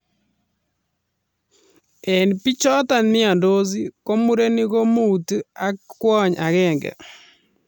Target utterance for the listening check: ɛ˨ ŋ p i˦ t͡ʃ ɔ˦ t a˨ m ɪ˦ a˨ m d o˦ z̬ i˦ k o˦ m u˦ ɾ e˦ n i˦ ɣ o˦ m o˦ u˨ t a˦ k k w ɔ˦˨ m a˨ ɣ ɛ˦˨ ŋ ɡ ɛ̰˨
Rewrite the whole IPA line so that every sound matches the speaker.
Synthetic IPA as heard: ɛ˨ n p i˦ t͡ʃ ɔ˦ t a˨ n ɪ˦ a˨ n d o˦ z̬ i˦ k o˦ m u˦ ɾ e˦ n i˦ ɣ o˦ m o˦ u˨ t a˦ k k w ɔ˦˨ ɲ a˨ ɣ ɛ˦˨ ŋ ɡ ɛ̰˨